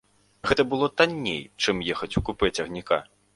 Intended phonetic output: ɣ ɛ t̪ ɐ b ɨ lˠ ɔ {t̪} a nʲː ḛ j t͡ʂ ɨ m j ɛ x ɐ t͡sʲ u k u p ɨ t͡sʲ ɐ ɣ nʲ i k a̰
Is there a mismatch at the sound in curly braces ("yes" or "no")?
no